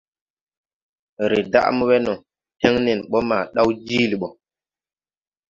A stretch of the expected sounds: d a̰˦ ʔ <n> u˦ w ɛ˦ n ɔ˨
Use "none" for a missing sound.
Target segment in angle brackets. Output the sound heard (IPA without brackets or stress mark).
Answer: m